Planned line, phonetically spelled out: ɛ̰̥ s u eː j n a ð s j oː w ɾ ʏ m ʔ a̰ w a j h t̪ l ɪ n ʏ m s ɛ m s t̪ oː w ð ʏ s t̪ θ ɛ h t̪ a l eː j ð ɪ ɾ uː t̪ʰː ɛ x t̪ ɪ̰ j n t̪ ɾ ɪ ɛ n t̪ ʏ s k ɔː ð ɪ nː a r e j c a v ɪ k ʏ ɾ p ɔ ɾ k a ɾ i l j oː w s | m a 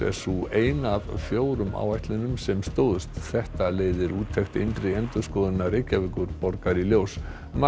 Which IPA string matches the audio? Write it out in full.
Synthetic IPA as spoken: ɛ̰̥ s u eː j n a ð f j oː w ɾ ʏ m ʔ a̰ w a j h t̪ l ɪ n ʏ m s ɛ m s t̪ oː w ð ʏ s t̪ θ ɛ h t̪ a l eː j ð ɪ ɾ uː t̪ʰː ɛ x t̪ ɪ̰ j n t̪ ɾ ɪ ɛ n t̪ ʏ s k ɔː ð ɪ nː a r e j c a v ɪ k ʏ ɾ p ɔ ɾ k a ɾ i l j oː w s | m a